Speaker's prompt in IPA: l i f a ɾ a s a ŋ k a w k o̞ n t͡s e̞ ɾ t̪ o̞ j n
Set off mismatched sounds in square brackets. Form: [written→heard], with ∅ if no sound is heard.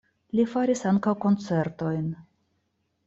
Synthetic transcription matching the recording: l i f a ɾ [a→i] s a ŋ k a w k o̞ n t͡s e̞ ɾ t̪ o̞ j n